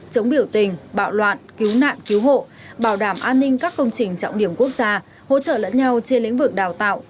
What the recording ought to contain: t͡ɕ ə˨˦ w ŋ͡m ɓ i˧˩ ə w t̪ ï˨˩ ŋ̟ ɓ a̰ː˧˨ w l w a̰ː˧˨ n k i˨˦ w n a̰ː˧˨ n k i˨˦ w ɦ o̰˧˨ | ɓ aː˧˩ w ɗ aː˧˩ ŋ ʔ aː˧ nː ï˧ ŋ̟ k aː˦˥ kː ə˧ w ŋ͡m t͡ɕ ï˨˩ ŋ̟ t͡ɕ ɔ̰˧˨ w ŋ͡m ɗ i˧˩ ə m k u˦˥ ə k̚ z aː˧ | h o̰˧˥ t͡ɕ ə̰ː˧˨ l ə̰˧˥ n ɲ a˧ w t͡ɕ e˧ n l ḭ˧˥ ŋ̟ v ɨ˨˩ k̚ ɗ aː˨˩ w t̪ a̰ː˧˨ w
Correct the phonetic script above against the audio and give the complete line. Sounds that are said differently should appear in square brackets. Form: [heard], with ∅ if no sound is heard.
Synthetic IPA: t͡ɕ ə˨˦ w ŋ͡m ɓ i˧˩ ə w t̪ ï˨˩ ŋ̟ ɓ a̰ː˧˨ w l w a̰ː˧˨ n k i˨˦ w n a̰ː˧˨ n k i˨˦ w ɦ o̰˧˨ | ɓ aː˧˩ w ɗ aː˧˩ [m] ʔ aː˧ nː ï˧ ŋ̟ k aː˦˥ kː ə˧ w ŋ͡m t͡ɕ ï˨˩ ŋ̟ t͡ɕ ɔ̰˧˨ w ŋ͡m ɗ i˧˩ ə m k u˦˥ ə k̚ z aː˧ | h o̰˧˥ t͡ɕ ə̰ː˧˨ l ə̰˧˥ n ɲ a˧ w t͡ɕ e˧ n l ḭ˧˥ ŋ̟ v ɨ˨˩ k̚ ɗ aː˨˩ w t̪ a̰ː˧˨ w